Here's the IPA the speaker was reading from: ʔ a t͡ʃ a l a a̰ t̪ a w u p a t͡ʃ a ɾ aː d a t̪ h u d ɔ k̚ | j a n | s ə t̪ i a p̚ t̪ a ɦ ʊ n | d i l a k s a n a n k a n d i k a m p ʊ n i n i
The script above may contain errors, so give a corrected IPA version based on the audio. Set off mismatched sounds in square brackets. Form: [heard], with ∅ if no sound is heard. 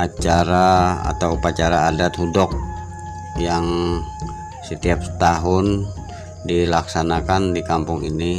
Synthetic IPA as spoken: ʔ a t͡ʃ a [ɾ] a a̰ t̪ a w u p a t͡ʃ a ɾ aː d a t̪ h u d ɔ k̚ | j a [ŋ] | s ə t̪ i a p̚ t̪ a ɦ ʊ n | d i l a k s a n a [∅] k a n d i k a m p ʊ [ŋ] i n i